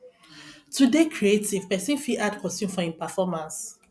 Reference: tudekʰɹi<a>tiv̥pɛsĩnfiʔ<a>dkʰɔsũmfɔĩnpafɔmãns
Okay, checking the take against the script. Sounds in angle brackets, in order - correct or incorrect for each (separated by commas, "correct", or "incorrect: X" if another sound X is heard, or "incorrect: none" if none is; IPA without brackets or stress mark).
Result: incorrect: e, correct